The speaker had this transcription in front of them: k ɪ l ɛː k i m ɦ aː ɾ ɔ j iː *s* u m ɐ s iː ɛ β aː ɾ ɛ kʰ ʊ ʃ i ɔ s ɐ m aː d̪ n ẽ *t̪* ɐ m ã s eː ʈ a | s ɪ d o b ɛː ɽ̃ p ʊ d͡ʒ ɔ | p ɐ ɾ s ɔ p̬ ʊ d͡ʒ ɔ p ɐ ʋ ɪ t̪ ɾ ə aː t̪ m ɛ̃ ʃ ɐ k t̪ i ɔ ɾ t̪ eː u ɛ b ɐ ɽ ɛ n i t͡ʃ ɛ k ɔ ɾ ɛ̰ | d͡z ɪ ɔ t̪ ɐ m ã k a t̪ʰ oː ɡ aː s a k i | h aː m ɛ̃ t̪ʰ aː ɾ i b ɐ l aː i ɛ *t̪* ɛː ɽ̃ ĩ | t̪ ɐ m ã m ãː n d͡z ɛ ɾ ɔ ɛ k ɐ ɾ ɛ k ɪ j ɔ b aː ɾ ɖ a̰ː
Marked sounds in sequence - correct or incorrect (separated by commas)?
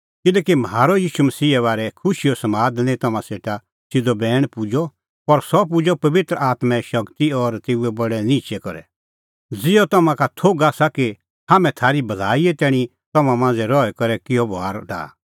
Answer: incorrect, correct, correct